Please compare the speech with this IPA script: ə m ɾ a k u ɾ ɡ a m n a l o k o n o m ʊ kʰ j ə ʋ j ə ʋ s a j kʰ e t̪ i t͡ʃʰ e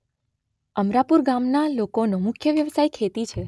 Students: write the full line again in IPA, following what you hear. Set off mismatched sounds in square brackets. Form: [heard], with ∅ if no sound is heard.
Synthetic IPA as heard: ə m ɾ a [p] u ɾ ɡ a m n a l o k o n o m ʊ kʰ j ə ʋ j ə ʋ s a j kʰ e t̪ i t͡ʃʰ e